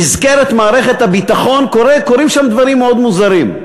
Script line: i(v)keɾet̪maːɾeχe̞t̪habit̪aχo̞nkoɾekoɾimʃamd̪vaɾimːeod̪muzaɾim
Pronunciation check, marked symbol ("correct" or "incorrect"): incorrect